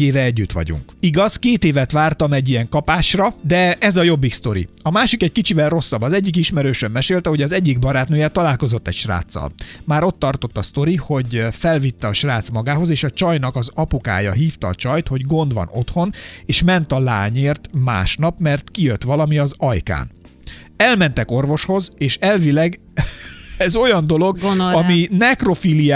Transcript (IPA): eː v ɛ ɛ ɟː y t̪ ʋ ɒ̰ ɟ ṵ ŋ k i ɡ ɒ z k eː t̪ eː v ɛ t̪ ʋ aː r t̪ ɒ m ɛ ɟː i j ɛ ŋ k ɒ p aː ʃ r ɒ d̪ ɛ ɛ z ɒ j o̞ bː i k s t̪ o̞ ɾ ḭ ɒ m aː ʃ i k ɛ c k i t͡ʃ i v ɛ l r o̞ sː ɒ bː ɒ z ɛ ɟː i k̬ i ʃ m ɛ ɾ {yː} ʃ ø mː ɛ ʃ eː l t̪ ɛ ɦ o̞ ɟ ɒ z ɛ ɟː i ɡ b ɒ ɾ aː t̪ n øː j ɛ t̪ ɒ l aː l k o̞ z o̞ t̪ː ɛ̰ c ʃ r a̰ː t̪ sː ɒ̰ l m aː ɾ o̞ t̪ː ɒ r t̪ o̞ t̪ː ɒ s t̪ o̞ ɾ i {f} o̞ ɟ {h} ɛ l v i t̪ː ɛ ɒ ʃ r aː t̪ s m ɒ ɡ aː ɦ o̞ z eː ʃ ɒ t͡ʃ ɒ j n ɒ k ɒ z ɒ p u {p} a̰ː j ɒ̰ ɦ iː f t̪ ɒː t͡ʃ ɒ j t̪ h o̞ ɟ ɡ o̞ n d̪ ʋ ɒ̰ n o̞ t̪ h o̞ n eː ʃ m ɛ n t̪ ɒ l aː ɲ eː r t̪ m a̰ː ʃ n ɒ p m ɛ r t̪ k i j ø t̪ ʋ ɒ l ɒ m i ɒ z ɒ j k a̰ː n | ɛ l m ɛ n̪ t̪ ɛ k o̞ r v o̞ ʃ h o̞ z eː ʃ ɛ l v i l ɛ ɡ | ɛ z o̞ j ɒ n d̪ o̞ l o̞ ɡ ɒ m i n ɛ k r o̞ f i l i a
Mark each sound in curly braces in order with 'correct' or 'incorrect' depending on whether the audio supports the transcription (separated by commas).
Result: incorrect, incorrect, incorrect, incorrect